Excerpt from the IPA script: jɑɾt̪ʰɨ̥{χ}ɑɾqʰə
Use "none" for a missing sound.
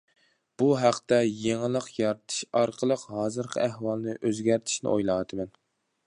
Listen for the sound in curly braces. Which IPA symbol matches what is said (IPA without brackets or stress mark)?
ʃ